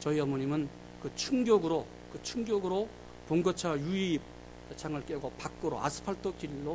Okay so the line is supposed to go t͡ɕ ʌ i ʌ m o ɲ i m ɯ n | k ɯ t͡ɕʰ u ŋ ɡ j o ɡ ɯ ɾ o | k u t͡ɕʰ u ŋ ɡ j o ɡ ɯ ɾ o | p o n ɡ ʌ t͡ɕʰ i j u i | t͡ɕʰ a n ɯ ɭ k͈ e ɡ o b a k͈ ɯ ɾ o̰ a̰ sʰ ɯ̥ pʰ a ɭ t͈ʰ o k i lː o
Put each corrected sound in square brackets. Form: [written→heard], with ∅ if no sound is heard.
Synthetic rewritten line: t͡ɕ ʌ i ʌ m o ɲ i m ɯ n | k ɯ t͡ɕʰ u ŋ ɡ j o ɡ ɯ ɾ o | k [u→ɯ] t͡ɕʰ u ŋ ɡ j o ɡ ɯ ɾ o | p o [n→ŋ] ɡ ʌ t͡ɕʰ [i→a] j u i | t͡ɕʰ a [n→ŋ] ɯ ɭ k͈ e ɡ o [b→p] a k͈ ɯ ɾ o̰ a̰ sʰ ɯ̥ pʰ a ɭ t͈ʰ o k i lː o